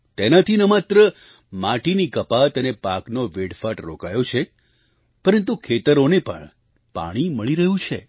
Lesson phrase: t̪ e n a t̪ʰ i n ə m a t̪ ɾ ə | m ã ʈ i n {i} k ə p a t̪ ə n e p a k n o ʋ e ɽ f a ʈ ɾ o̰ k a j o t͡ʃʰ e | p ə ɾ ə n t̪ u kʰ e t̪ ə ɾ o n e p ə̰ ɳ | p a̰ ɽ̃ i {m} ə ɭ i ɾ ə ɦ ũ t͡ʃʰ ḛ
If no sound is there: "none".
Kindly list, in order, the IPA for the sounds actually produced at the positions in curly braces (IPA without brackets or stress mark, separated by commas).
i, m